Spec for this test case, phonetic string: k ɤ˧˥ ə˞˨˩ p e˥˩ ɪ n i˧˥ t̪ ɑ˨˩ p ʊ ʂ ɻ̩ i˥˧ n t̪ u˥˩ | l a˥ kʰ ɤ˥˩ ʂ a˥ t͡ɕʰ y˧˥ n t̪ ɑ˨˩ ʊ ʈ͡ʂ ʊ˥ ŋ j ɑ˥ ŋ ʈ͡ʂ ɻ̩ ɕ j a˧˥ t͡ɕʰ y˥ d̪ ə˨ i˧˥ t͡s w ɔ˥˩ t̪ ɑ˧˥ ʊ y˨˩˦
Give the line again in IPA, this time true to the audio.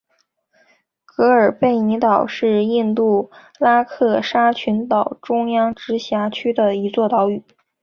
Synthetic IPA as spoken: k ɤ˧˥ ə˞˨˩ p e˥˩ ɪ n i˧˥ t̪ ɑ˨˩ ʊ ʂ ɻ̩ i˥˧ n t̪ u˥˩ | l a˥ kʰ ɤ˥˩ ʂ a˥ t͡ɕʰ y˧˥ n t̪ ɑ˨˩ ʊ ʈ͡ʂ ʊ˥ ŋ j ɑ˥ ŋ ʈ͡ʂ ɻ̩ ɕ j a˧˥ t͡ɕʰ y˥ d̪ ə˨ i˧˥ t͡s w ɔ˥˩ t̪ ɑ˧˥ ʊ y˨˩˦